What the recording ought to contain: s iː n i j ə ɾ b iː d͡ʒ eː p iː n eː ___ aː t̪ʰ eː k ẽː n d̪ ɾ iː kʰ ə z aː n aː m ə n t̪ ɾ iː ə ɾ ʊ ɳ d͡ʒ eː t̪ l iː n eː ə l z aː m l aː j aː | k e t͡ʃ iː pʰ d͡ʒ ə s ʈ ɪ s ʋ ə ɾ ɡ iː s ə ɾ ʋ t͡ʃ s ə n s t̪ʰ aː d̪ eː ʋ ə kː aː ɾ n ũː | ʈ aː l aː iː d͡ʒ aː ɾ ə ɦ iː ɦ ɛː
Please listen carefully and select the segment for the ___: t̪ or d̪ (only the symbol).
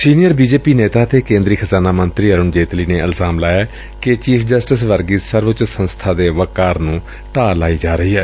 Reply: t̪